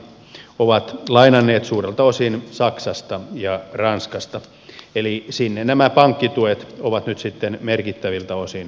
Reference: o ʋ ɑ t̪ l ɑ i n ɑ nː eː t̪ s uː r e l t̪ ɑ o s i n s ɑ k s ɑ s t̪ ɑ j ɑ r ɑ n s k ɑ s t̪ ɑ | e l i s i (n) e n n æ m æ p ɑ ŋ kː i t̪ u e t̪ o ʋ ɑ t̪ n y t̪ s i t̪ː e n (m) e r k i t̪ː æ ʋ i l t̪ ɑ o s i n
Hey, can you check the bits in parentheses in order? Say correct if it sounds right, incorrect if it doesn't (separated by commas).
incorrect, correct